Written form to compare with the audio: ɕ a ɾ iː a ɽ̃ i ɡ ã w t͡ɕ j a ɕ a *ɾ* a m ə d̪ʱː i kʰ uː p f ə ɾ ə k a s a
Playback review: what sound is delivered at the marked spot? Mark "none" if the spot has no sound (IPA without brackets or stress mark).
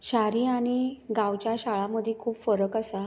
ɭ